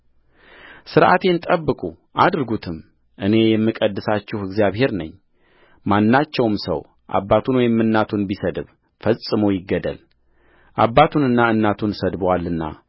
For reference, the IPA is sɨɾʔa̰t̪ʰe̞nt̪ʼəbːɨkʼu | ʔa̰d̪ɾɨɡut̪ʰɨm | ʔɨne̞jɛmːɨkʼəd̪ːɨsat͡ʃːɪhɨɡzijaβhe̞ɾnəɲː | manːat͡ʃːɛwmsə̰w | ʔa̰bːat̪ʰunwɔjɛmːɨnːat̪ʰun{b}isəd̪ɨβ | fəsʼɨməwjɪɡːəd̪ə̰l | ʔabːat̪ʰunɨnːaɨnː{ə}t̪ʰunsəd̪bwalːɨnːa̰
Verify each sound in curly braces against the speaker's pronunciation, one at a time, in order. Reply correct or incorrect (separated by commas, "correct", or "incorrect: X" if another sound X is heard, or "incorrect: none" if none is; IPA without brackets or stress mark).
correct, incorrect: a